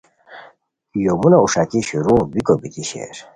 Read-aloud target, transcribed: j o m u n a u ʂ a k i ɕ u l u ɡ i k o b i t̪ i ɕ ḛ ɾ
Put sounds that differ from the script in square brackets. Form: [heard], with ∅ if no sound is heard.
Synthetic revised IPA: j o m u n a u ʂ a k i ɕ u [ɾ] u [b] i k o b i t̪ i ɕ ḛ ɾ